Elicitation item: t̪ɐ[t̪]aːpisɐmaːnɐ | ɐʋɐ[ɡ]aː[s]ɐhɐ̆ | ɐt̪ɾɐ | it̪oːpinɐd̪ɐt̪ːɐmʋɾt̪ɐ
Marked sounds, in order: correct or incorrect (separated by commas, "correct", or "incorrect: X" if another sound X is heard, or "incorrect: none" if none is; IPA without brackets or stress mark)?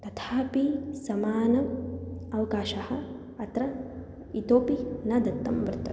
incorrect: t̪ʰ, incorrect: k, incorrect: ʃ